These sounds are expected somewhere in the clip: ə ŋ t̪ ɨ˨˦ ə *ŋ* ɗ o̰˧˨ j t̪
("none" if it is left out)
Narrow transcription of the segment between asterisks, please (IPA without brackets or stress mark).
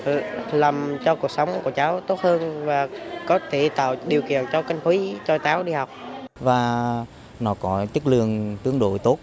ŋ